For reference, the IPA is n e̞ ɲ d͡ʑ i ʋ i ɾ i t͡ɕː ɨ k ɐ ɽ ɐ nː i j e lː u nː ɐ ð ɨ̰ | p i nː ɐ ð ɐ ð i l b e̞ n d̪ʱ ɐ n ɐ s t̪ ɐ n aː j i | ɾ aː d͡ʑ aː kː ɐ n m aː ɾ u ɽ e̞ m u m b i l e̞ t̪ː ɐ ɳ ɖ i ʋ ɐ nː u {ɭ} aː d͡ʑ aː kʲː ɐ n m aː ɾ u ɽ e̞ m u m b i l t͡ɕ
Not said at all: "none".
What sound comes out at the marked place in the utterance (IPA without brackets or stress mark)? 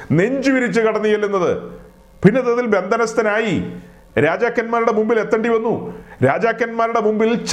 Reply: ɾ